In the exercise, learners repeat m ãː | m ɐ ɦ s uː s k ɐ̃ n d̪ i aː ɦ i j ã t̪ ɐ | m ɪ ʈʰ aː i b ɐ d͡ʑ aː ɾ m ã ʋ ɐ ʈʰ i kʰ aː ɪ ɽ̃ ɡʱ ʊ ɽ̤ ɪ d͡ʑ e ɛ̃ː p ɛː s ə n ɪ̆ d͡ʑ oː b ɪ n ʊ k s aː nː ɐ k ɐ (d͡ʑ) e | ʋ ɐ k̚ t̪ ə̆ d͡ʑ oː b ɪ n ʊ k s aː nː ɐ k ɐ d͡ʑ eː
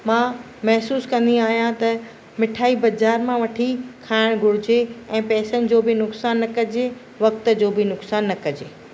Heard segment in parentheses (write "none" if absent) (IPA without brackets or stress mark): d͡ʑ